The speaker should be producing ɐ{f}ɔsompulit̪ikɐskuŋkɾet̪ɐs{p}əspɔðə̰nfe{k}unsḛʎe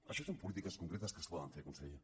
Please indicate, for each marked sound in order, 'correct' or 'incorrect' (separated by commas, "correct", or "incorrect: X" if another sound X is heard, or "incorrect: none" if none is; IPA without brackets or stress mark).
incorrect: ʃ, incorrect: k, correct